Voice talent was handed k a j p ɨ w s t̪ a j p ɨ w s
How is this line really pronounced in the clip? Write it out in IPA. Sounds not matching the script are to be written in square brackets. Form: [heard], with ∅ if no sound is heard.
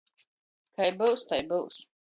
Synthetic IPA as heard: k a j [b] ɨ w s t̪ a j [b] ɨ w s